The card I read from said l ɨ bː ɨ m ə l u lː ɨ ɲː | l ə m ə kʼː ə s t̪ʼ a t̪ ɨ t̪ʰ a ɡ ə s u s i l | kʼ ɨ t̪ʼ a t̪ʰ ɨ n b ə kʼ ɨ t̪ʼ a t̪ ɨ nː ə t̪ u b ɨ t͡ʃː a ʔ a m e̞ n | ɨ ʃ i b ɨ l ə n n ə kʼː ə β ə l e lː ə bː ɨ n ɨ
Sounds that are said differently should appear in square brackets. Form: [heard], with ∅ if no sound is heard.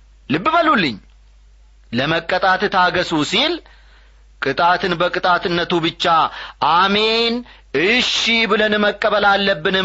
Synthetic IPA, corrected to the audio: l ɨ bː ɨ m ə l u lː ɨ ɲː | l ə m ə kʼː ə [∅] t̪ʼ a t̪ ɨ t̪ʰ a ɡ ə s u s i l | kʼ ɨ t̪ʼ a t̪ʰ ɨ n b ə kʼ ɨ t̪ʼ a t̪ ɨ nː ə t̪ u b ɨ t͡ʃː a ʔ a m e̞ n | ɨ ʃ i b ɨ l ə n [m] ə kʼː ə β ə l [a] lː ə bː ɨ n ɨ